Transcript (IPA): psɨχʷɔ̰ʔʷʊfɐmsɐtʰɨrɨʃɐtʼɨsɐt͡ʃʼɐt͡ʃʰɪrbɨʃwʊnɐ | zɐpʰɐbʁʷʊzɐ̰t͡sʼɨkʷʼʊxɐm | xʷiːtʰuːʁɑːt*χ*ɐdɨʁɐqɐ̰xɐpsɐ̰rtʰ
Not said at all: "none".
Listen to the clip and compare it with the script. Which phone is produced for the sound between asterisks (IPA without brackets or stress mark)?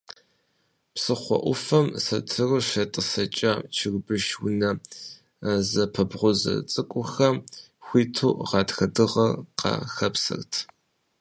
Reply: x